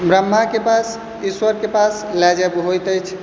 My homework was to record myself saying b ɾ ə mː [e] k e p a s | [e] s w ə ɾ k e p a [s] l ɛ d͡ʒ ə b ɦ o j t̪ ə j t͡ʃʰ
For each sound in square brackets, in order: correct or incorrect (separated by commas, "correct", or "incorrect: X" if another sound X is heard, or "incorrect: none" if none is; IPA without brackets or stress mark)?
incorrect: a, incorrect: i, correct